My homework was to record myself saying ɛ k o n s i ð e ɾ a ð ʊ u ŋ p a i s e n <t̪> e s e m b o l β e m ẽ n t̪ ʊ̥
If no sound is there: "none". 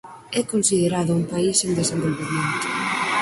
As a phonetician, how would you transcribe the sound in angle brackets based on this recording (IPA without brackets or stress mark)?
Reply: d̪